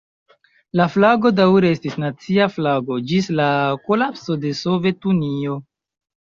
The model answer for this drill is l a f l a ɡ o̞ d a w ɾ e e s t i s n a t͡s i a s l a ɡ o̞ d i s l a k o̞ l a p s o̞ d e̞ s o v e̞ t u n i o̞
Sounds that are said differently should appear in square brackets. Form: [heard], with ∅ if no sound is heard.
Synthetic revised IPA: l a f l a ɡ o̞ d a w ɾ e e s t i s n a t͡s i a [f] l a ɡ o̞ [d͡ʒ] i s l a k o̞ l a p s o̞ d e̞ s o v e̞ t u n i o̞